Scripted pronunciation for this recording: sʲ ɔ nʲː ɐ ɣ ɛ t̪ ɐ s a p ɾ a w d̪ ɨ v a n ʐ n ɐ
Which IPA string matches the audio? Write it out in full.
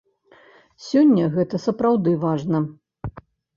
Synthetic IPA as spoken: sʲ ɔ nʲː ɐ ɣ ɛ t̪ ɐ s ɐ p ɾ a w d̪ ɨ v a ʐ n ɐ